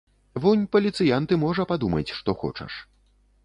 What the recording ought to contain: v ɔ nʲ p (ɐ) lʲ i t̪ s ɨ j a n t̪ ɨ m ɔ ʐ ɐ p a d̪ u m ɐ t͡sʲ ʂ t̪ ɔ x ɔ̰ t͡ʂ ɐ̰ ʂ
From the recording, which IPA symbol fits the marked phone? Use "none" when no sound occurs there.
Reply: ɐ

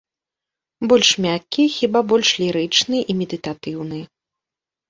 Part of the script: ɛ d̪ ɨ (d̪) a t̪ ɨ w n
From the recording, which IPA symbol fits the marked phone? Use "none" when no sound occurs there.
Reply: t̪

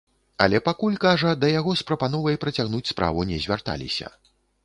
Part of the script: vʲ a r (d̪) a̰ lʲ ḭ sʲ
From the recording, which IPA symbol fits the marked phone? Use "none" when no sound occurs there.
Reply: t̪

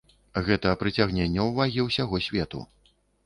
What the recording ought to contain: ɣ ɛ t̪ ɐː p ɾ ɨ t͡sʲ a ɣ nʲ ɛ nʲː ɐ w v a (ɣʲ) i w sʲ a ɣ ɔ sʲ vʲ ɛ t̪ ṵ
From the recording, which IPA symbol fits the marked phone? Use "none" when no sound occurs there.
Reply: ɣʲ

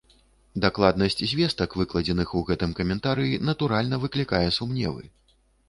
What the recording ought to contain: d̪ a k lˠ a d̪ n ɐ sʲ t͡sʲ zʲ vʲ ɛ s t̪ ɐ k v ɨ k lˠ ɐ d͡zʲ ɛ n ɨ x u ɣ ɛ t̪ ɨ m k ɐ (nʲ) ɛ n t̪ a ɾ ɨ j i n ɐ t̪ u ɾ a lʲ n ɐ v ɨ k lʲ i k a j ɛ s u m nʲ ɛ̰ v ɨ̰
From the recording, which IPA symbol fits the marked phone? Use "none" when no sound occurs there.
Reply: mʲ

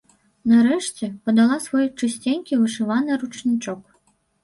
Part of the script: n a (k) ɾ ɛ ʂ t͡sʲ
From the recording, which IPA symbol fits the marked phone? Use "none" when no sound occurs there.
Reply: none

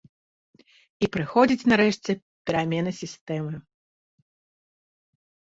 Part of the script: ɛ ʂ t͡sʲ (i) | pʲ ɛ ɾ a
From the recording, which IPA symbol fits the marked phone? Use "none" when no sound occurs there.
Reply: ɛ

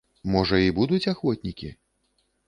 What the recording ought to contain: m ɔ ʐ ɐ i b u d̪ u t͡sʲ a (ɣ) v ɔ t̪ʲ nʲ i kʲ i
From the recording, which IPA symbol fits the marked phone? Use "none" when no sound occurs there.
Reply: x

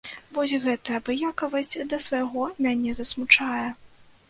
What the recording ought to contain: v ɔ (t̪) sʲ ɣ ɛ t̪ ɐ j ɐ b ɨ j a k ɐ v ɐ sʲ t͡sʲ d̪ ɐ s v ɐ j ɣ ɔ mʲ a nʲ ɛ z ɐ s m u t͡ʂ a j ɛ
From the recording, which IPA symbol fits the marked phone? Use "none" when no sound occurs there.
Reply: none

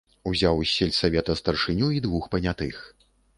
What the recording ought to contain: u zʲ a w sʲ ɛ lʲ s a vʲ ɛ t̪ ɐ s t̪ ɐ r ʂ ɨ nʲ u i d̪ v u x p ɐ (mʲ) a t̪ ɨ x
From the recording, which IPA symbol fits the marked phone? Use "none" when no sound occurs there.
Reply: nʲ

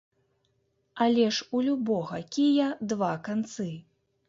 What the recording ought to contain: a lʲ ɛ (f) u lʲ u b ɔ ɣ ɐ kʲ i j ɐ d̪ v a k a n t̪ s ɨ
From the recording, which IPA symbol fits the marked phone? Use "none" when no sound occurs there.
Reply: ʂ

